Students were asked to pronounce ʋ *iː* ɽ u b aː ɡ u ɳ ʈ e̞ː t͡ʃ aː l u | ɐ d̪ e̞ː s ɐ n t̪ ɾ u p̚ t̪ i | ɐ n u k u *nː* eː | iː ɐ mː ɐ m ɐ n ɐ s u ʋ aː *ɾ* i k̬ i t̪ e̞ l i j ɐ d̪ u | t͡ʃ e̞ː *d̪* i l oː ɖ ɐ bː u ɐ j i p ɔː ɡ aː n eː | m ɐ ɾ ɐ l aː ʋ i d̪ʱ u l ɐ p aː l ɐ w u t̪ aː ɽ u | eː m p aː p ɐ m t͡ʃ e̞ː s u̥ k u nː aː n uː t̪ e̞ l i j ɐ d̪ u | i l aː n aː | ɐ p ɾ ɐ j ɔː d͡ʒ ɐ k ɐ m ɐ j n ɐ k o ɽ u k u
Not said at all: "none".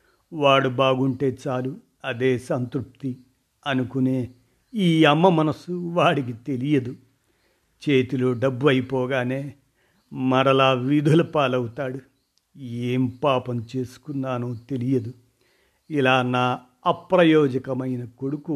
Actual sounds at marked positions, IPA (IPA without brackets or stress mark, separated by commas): aː, n, ɽ, t̪